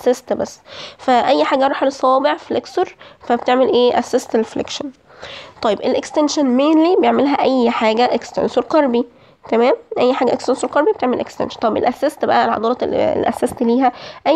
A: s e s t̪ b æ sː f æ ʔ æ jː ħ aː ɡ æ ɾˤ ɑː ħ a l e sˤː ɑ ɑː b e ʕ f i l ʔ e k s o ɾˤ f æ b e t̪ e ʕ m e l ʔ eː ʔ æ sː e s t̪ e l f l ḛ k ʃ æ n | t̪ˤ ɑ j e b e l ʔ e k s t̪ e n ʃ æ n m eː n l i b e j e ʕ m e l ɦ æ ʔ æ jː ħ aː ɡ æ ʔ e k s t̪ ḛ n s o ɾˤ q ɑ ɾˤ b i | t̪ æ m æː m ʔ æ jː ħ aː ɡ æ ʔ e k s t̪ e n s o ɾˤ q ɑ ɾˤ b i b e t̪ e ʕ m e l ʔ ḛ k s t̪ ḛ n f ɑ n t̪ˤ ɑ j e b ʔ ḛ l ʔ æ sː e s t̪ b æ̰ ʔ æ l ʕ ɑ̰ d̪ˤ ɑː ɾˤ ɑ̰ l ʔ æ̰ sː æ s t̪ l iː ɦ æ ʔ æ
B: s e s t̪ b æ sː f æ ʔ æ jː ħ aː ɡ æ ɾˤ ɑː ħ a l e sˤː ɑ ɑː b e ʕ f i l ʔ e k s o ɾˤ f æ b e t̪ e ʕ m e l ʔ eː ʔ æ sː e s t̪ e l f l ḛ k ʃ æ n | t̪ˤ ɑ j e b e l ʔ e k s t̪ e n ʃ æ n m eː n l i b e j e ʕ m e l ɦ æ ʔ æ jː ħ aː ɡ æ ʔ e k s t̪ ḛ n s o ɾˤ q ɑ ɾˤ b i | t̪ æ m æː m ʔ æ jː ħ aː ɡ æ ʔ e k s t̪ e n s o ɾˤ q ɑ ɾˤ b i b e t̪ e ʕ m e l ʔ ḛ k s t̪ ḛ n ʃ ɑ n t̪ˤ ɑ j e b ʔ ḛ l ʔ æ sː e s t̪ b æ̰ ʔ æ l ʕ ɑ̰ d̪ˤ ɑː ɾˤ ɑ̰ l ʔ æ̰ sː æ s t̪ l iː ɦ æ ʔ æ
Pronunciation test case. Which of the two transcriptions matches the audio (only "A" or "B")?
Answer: B